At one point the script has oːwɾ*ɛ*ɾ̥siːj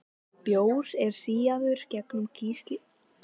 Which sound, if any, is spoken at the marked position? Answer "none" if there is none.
ɛ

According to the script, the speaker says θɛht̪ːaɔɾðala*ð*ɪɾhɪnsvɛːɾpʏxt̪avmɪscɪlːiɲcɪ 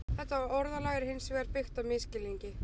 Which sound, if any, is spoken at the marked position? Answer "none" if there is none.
ɣ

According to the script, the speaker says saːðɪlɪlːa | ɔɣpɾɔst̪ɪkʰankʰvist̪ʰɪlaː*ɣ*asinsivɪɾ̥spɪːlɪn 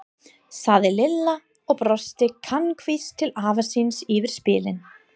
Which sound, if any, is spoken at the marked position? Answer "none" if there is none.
v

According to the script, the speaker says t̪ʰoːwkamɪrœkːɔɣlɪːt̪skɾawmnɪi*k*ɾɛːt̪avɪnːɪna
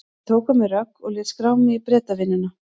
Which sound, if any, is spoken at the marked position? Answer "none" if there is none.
p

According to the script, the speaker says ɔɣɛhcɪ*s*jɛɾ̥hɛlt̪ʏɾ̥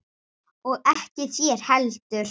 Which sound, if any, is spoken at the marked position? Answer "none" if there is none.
θ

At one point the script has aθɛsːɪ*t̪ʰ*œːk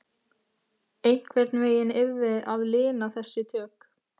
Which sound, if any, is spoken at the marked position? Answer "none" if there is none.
t̪ʰ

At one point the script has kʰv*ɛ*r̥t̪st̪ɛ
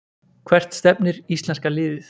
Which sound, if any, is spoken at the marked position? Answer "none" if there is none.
ɛ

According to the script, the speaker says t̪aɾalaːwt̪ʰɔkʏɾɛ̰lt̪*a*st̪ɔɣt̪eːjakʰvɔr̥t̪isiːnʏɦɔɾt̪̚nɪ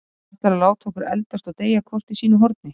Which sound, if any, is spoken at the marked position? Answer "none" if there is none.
a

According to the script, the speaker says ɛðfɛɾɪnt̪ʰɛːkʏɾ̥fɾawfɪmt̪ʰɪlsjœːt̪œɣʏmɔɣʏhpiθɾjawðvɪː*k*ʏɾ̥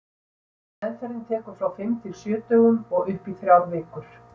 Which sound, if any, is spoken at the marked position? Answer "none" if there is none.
k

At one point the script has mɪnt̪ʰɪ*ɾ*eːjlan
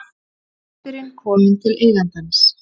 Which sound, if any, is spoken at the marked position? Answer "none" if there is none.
l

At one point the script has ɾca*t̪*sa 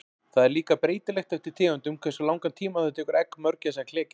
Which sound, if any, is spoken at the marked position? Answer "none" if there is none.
none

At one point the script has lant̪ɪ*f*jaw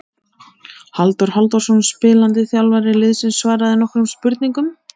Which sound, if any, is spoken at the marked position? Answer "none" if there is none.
θ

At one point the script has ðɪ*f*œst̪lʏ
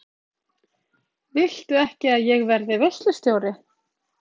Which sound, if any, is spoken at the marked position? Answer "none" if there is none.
v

